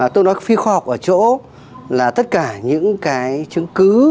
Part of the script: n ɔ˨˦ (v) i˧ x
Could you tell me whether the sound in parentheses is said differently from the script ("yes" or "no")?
yes